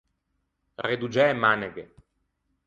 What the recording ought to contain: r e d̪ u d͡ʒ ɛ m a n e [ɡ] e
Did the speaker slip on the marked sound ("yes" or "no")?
no